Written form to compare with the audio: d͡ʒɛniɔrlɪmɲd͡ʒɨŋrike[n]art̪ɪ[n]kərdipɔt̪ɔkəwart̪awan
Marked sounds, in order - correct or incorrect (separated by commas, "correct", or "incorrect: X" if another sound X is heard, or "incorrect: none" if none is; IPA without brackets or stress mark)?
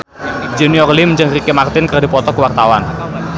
incorrect: m, correct